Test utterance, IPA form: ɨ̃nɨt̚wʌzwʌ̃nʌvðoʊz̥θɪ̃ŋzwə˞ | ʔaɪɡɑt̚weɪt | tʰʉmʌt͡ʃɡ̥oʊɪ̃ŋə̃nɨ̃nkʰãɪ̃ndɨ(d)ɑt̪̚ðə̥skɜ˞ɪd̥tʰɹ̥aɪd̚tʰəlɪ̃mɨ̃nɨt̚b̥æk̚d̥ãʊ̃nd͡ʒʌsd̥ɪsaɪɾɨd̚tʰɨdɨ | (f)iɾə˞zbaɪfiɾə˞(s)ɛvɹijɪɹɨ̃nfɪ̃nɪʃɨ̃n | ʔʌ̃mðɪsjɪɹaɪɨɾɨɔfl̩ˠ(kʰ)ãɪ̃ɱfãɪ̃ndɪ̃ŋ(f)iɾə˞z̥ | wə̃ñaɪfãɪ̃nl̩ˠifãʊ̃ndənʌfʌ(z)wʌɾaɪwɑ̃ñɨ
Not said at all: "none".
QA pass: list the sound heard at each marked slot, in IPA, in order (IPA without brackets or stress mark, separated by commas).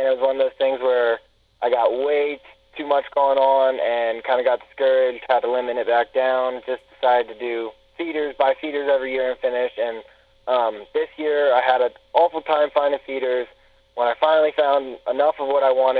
ɡ, f, z, tʰ, f, v